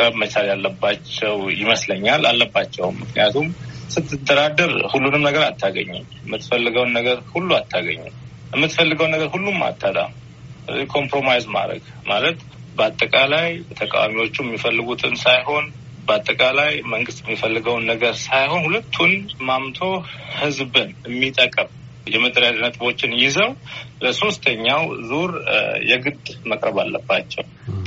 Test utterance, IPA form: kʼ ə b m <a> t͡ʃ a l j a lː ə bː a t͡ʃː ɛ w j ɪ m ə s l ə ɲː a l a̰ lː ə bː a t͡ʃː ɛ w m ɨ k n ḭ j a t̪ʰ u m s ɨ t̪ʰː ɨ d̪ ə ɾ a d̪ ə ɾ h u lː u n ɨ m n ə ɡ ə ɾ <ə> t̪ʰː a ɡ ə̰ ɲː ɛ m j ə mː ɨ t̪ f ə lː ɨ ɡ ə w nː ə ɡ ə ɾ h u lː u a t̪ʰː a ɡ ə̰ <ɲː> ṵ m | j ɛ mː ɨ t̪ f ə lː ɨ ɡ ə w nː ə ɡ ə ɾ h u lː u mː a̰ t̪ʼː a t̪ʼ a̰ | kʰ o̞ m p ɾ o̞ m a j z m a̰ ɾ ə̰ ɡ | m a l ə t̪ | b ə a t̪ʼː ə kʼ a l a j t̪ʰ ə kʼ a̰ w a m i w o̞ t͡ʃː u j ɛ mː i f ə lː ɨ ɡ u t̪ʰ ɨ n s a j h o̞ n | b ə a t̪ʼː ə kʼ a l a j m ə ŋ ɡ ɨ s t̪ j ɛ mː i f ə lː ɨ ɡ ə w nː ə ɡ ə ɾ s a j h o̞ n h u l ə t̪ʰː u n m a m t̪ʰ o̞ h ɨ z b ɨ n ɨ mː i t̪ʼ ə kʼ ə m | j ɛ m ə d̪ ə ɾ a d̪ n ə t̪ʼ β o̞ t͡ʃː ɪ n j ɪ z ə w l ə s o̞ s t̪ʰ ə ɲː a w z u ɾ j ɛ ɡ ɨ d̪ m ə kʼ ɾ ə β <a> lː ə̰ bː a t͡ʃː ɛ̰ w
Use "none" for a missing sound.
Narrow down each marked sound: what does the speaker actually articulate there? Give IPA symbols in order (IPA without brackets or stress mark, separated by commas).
ə, a, ɲː, a